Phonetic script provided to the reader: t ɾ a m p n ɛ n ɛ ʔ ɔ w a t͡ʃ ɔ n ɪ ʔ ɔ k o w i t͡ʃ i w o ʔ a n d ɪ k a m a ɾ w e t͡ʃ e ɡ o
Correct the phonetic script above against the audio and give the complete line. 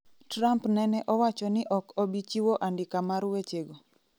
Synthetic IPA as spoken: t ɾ a m p n ɛ n ɛ ʔ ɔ w a t͡ʃ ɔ n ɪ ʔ ɔ k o b i t͡ʃ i w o ʔ a n d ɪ k a m a ɾ w e t͡ʃ e ɡ o